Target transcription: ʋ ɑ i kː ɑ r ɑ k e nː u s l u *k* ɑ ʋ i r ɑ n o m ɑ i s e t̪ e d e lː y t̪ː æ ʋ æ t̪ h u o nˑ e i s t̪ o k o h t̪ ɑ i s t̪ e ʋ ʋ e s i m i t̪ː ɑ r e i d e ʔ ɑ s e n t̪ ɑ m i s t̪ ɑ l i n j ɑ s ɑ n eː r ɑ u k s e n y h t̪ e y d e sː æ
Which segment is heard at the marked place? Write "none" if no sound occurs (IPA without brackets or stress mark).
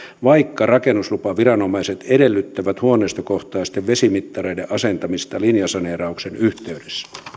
p